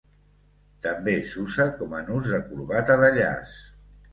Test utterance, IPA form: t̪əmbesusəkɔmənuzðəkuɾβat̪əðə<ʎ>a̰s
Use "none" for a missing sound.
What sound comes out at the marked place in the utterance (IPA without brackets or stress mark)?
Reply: ʎ